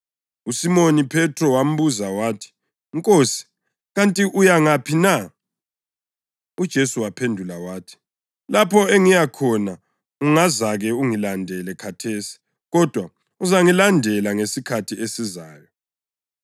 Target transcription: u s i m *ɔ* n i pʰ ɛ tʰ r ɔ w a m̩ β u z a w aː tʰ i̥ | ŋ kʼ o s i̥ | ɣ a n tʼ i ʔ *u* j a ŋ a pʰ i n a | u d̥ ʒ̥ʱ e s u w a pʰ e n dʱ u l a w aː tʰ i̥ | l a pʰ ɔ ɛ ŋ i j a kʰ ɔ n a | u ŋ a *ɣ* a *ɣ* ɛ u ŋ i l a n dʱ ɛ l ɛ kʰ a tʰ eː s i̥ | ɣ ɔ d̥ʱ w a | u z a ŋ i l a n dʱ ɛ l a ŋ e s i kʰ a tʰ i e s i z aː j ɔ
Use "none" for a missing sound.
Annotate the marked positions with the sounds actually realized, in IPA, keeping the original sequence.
o, u, z, ɣ

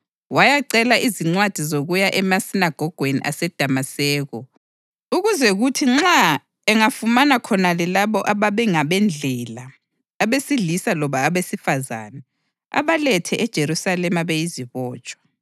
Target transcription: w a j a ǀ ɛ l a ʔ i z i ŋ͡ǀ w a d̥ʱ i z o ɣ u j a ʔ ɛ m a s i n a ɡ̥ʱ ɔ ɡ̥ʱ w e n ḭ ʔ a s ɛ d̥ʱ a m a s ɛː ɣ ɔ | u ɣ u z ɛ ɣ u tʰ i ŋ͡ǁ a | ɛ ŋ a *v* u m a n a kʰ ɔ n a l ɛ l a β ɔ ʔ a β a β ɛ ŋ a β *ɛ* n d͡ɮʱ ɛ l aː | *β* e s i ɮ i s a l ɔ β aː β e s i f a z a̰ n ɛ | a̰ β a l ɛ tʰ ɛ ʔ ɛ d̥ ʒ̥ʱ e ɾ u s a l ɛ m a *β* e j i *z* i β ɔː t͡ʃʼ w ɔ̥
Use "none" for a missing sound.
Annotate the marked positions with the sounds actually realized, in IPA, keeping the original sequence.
f, ɛ, β, β, z

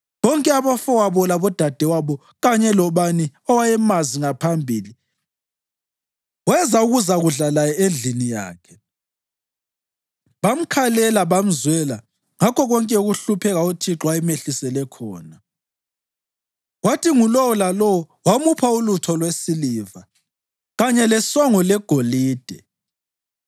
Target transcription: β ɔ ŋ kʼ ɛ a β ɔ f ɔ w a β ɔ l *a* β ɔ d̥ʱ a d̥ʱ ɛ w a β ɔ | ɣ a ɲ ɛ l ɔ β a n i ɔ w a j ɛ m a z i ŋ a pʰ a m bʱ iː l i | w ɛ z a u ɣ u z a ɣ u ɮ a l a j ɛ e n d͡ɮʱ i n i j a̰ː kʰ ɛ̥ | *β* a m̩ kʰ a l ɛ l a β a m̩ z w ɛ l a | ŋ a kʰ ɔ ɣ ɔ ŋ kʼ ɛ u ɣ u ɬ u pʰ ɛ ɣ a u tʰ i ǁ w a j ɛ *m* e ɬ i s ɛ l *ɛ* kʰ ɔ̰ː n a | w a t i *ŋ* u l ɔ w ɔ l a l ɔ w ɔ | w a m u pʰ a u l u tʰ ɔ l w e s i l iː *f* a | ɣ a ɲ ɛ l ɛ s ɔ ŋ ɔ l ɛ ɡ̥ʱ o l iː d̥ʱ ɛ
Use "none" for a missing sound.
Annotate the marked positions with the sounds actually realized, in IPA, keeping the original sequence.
a, β, m, ɛ, ŋ, v

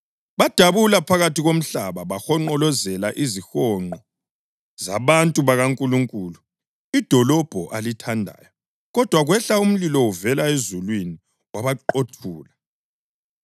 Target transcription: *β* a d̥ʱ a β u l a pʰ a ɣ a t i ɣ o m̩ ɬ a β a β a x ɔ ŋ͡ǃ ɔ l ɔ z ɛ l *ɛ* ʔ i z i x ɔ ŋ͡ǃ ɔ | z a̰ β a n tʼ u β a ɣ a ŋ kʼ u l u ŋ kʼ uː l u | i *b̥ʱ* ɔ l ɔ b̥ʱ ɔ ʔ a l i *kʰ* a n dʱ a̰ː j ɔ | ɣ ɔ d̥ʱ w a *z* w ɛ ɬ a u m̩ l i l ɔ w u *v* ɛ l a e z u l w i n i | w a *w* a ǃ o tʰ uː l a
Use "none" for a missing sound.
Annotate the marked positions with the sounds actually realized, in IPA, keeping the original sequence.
β, a, d̥ʱ, tʰ, ɣ, v, β

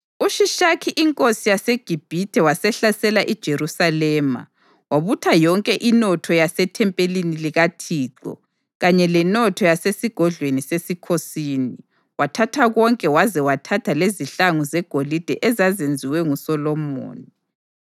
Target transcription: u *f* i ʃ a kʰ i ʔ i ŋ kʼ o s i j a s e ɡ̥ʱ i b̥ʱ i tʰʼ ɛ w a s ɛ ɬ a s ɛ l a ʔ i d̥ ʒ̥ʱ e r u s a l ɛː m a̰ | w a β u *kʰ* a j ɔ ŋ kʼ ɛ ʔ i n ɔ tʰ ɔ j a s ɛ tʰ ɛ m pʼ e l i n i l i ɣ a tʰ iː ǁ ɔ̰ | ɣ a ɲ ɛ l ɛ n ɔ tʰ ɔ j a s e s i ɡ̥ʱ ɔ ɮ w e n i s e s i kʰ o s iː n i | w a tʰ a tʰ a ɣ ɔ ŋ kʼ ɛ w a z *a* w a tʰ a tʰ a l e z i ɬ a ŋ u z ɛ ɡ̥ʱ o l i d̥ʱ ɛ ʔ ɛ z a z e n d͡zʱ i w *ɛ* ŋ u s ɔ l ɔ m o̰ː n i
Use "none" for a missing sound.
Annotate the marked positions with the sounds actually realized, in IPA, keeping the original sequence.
ʃ, tʰ, ɛ, ɛ

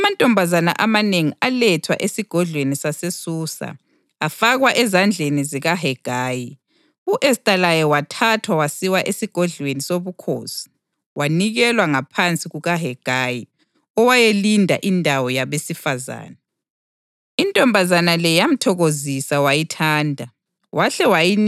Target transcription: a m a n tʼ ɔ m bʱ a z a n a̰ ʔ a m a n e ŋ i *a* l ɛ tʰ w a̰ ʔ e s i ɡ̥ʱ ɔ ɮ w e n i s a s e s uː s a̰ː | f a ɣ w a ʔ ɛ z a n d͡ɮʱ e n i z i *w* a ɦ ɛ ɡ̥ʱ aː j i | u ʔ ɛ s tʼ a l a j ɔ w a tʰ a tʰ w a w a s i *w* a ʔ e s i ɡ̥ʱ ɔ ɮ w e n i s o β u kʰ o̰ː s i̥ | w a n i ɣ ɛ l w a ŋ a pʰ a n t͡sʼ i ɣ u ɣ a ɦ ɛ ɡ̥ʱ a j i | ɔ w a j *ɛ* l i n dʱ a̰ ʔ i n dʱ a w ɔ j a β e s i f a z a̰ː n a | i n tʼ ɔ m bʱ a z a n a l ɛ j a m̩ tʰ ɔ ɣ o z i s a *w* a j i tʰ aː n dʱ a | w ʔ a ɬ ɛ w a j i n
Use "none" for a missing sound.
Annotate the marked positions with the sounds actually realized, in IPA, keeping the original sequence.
a, ɣ, w, e, w

